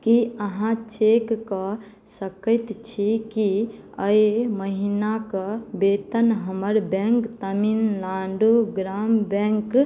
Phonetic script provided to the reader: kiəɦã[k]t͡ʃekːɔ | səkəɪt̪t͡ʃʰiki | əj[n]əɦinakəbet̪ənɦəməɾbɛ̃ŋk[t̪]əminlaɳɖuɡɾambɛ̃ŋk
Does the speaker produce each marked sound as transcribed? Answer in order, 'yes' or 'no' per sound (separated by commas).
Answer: no, no, yes